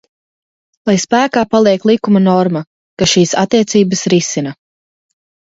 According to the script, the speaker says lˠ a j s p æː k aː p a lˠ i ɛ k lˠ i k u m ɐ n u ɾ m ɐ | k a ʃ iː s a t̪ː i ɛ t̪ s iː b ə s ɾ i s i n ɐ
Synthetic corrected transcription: lˠ a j s p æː k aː p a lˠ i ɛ k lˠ i k u m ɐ n ɔ ɾ m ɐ | k a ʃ iː s a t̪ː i ɛ t̪ s iː b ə s ɾ i s i n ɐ